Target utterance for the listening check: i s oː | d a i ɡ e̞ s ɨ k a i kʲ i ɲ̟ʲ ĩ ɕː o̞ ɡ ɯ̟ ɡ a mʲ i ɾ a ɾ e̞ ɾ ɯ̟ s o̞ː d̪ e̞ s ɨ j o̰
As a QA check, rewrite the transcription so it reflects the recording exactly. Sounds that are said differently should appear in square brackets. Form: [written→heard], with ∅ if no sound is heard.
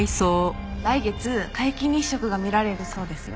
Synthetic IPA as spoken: i s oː | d a i ɡ e̞ [s→t͡s] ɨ k a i kʲ i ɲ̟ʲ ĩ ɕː o̞ [ɡ→k] ɯ̟ ɡ a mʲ i ɾ a ɾ e̞ ɾ ɯ̟ s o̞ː d̪ e̞ s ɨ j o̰